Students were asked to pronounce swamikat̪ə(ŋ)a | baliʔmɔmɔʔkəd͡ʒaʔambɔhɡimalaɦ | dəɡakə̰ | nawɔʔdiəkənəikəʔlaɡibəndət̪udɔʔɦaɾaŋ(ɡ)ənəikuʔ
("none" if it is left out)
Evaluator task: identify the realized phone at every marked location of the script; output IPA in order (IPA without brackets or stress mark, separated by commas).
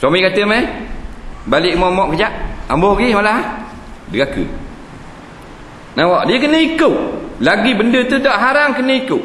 m, k